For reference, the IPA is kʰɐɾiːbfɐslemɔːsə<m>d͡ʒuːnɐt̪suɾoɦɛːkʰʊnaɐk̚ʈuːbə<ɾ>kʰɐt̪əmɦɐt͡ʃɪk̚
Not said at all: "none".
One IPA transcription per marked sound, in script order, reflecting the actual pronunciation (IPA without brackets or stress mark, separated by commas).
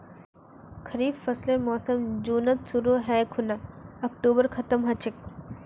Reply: m, ɾ